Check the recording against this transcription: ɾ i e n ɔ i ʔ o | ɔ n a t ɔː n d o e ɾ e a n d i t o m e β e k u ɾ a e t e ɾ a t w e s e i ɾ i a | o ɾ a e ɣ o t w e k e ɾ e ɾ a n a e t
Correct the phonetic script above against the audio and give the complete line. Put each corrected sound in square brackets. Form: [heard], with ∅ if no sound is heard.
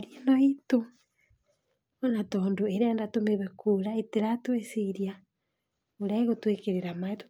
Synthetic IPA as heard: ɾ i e n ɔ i [t] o | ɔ n a t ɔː n d o e ɾ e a n d [a] t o m e β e k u ɾ a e t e ɾ a t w e s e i ɾ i a | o ɾ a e ɣ o t w e k e ɾ e ɾ a [m] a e t